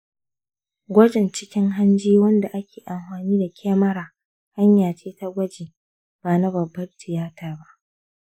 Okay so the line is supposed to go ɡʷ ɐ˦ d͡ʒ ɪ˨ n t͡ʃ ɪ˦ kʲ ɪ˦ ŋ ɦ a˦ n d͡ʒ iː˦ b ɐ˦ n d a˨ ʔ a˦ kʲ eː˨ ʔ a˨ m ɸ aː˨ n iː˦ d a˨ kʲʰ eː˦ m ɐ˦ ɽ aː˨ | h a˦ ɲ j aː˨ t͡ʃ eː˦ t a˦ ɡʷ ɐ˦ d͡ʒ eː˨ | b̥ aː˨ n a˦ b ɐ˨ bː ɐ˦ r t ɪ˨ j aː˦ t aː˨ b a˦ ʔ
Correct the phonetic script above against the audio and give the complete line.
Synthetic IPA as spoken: ɡʷ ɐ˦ d͡ʒ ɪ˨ n t͡ʃ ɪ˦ kʲ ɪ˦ ŋ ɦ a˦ n d͡ʒ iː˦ w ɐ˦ n d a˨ ʔ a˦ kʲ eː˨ ʔ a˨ m ɸ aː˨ n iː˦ d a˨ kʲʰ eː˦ m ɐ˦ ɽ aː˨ | h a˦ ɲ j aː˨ t͡ʃ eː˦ t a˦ ɡʷ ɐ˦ d͡ʒ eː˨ | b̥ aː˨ n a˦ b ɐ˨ bː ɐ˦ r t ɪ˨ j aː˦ t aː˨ b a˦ ʔ